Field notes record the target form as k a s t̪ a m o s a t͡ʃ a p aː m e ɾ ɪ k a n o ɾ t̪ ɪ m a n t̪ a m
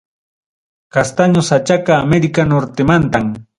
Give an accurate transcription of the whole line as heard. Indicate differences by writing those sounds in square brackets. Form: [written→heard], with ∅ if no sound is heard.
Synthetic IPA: k a s t̪ a [m→ɲ] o s a t͡ʃ a [p→k] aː m e ɾ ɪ k a n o ɾ t̪ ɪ m a n t̪ a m